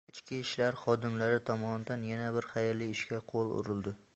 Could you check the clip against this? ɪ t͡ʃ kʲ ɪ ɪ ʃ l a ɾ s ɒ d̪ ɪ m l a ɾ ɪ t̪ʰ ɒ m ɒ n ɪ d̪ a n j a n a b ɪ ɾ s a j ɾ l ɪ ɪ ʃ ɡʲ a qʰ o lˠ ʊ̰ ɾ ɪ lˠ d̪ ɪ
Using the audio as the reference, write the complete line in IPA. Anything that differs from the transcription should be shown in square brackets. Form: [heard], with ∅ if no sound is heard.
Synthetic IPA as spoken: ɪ t͡ʃ kʲ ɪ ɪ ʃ l a ɾ [χ] ɒ d̪ ɪ m l a ɾ ɪ t̪ʰ ɒ m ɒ n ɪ d̪ a n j a n a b ɪ ɾ [χ] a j ɾ l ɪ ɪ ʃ [kʲ] a qʰ o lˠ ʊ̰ ɾ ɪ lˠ d̪ ɪ